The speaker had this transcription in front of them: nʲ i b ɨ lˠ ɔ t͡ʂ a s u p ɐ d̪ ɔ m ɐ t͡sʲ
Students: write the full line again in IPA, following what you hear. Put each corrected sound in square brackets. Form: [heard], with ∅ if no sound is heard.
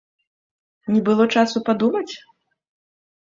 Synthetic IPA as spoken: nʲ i b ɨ lˠ ɔ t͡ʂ a s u p [a] d̪ [u] m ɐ t͡sʲ